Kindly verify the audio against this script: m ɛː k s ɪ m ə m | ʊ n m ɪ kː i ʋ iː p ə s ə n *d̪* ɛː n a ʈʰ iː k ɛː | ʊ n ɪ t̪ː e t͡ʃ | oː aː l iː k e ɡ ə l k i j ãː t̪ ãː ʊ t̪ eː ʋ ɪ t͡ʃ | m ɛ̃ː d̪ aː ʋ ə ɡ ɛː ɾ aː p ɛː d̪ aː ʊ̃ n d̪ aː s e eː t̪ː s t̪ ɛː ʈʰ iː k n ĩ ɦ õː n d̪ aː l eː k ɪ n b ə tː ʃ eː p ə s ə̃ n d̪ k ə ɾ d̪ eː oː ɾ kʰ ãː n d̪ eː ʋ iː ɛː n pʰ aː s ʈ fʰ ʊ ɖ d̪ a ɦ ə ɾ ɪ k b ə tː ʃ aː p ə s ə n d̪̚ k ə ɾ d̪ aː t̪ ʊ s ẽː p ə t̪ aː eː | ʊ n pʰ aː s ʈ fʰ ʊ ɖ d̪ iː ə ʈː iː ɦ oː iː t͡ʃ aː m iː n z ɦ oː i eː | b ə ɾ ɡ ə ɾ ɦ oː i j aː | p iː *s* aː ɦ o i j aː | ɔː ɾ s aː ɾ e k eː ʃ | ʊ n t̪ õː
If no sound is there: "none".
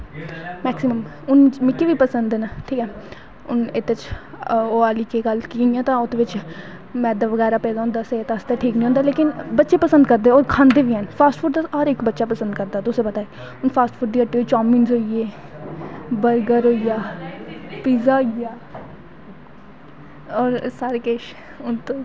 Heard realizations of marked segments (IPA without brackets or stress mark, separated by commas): d̪, z